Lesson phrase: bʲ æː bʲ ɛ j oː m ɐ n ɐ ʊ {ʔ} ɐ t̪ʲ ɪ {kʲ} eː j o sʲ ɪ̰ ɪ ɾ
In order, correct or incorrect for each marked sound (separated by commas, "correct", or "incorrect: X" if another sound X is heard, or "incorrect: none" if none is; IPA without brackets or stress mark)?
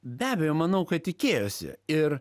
incorrect: k, correct